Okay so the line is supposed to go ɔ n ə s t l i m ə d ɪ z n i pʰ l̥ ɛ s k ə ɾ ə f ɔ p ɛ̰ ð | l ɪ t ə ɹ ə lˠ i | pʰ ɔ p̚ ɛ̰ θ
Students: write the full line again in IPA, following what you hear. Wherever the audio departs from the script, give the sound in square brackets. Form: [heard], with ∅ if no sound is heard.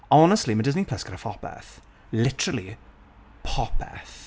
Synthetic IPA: ɔ n ə s t l i m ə d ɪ z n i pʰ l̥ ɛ s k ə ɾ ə f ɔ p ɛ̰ [θ] | l ɪ t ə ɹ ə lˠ i | pʰ ɔ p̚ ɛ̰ θ